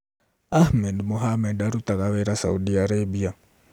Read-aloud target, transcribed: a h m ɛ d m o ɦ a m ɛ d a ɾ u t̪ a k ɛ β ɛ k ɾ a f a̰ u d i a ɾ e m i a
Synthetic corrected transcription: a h m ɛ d m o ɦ a m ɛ d a ɾ u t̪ a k a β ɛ ɾ a s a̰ u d i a ɾ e b i a